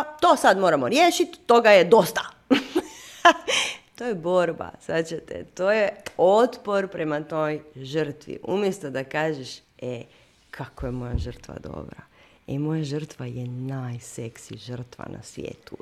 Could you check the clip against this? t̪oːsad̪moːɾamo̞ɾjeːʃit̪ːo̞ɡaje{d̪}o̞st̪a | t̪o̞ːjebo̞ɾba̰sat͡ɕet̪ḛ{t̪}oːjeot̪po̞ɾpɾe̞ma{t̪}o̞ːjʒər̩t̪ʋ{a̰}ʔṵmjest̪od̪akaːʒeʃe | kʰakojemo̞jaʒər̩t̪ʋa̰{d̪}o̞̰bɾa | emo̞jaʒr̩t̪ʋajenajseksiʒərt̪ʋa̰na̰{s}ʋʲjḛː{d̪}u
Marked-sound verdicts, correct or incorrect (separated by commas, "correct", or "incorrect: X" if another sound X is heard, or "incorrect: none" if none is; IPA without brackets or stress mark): correct, correct, correct, incorrect: ḭ, correct, correct, incorrect: t̪